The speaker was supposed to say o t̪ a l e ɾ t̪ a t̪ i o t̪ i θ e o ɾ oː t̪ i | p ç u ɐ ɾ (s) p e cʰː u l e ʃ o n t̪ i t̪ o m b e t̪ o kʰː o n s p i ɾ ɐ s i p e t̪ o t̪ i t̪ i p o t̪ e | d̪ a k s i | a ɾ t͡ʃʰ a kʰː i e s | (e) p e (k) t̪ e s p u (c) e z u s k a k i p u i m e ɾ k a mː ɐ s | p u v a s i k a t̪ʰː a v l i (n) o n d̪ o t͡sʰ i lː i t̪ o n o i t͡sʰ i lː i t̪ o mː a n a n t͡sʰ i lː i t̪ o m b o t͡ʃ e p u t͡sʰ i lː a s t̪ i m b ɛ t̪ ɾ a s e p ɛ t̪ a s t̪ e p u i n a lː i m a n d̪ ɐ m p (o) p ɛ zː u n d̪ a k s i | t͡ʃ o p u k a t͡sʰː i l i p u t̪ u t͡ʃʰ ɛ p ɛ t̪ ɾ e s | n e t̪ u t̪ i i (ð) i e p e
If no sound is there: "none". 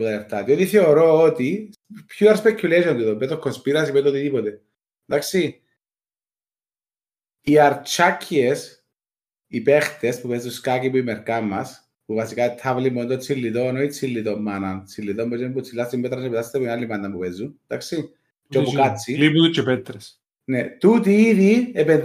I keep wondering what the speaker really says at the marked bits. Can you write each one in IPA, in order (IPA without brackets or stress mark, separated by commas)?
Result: s, i, x, p, m, u, ð